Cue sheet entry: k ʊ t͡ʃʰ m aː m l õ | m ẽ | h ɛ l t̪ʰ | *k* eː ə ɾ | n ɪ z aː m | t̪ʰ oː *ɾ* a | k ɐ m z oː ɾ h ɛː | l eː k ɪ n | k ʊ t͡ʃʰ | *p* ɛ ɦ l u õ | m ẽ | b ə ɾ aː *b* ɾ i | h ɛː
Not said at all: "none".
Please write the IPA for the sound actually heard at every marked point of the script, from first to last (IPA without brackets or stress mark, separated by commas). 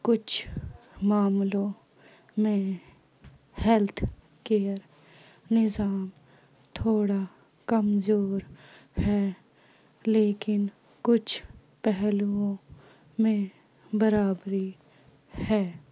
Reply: k, ɽ, p, b